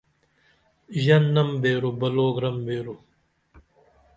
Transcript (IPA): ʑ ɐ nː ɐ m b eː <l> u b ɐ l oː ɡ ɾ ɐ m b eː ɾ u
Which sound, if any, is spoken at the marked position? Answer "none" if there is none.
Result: ɾ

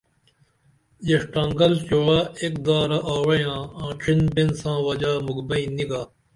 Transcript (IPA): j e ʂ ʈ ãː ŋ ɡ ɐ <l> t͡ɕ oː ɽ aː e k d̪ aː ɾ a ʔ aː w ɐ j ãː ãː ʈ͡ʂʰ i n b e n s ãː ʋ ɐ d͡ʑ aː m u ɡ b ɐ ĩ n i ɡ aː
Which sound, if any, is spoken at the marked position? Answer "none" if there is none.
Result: l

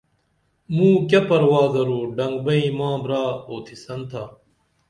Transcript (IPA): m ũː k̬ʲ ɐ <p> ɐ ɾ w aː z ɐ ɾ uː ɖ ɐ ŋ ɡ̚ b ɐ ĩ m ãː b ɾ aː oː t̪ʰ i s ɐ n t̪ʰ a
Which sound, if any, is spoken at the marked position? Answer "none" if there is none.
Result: p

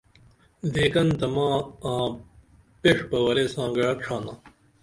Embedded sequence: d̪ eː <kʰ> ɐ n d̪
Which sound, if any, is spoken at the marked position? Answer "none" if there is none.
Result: k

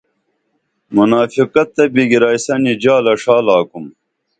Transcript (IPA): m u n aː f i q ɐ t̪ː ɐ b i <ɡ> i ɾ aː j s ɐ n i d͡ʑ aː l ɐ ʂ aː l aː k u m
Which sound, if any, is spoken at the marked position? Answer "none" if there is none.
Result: ɡ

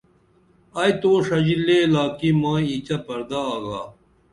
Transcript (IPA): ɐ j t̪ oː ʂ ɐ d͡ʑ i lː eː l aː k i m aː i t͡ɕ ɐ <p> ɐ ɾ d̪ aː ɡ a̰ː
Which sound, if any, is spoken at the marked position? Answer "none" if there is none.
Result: p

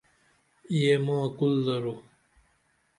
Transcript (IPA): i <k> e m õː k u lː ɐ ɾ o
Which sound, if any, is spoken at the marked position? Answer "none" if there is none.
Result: none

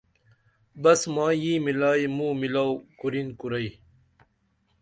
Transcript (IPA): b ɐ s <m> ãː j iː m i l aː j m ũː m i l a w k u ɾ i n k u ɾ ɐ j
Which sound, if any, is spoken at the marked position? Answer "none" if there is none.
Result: m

